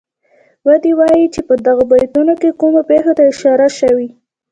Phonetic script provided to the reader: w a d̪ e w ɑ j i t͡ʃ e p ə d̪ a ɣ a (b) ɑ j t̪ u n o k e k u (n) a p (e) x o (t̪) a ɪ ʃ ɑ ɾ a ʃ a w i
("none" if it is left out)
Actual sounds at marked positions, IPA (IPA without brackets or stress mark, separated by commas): b, m, e, t̪